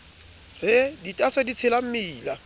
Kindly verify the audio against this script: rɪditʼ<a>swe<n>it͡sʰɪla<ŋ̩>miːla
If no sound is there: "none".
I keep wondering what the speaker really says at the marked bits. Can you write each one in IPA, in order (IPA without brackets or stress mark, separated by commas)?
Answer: a, d, m̩